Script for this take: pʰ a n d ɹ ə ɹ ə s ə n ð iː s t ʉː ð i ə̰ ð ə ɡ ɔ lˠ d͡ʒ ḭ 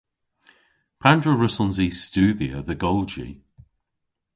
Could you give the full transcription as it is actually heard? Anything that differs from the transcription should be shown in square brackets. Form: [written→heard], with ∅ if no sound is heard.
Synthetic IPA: pʰ a n d ɹ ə ɹ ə s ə n [ð→z] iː s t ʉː ð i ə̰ ð ə ɡ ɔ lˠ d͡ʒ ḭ